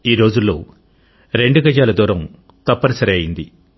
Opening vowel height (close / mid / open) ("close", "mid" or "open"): close